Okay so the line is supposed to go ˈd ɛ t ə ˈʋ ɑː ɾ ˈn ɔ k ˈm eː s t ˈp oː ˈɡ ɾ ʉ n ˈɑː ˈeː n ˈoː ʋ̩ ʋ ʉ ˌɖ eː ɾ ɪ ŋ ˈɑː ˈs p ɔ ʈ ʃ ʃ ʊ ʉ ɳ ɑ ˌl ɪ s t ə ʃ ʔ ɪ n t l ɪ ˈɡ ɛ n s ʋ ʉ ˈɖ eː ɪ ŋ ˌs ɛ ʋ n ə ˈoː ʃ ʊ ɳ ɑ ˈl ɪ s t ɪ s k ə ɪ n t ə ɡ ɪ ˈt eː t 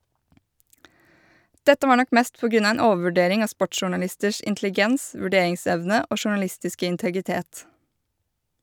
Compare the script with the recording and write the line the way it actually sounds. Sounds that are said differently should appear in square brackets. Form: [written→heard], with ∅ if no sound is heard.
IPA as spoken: ˈd ɛ t ə ˈʋ ɑː ɾ ˈn ɔ k ˈm eː s t ˈp oː ˈɡ ɾ ʉ n ˈɑː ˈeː n ˈoː ʋ̩ ʋ ʉ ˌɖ eː ɾ ɪ ŋ ˈɑː ˈs p ɔ ʈ ʃ ʃ ʊ ʉ ɳ ɑ ˌl ɪ s t ə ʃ ʔ ɪ n t l ɪ ˈɡ ɛ n s ʋ ʉ ˈɖ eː ɪ ŋ ˌs ɛ ʋ n ə ˈoː ʃ ʊ ɳ ɑ ˈl ɪ s t ɪ s k ə ɪ n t ə ɡ ɪ ˈt eː t

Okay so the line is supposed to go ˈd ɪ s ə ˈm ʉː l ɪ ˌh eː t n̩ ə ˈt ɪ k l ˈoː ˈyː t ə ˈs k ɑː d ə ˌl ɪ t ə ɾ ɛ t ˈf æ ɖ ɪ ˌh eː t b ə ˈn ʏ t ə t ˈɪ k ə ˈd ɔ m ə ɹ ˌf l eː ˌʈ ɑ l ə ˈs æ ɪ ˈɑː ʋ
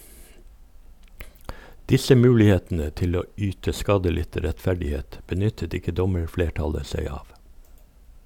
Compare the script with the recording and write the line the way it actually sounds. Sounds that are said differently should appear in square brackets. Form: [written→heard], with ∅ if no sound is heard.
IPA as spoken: ˈd ɪ s ə ˈm ʉː l ɪ ˌh eː t n̩ ə ˈt ɪ [k→∅] l ˈoː ˈyː t ə ˈs k ɑː d ə ˌl ɪ t ə ɾ ɛ t ˈf æ ɖ ɪ ˌh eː t b ə ˈn ʏ t ə t ˈɪ k ə ˈd ɔ m ə ɹ ˌf l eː ˌʈ ɑ l ə ˈs æ ɪ ˈɑː ʋ

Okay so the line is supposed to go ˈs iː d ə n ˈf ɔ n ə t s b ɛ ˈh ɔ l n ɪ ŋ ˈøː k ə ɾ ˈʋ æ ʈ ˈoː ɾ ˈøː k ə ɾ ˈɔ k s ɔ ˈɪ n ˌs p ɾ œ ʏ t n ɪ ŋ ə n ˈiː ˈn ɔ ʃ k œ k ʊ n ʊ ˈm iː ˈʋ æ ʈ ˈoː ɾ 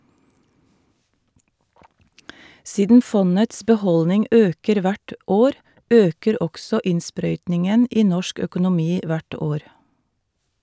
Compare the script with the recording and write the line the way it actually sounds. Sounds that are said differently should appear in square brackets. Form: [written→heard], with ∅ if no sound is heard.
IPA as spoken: ˈs iː d ə n ˈf ɔ n ə t s b ɛ ˈh ɔ l n ɪ ŋ ˈøː k ə ɾ ˈʋ æ ʈ ˈoː ɾ ˈøː k ə ɾ ˈɔ k s ɔ ˈɪ n ˌs p ɾ œ ʏ t n ɪ ŋ ə n ˈiː ˈn ɔ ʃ k œ k ʊ n ʊ ˈm iː ˈʋ æ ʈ ˈoː ɾ

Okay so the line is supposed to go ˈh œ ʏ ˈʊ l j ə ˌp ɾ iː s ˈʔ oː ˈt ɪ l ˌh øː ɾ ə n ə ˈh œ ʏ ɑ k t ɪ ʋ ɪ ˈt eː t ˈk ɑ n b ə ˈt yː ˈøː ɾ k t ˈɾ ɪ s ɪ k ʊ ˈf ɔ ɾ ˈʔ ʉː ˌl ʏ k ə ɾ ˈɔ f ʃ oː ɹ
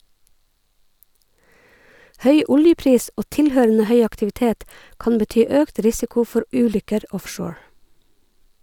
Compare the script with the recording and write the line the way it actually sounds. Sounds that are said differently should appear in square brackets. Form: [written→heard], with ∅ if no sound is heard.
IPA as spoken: ˈh œ ʏ ˈʊ l j ə ˌp ɾ iː s ˈʔ oː ˈt ɪ l ˌh øː ɾ ə n ə ˈh œ ʏ ɑ k t ɪ ʋ ɪ ˈt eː t ˈk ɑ n b ə ˈt yː ˈøː [ɾ→∅] k t ˈɾ ɪ s ɪ k ʊ ˈf ɔ ɾ ˈʔ ʉː ˌl ʏ k ə ɾ ˈɔ f ʃ oː ɹ

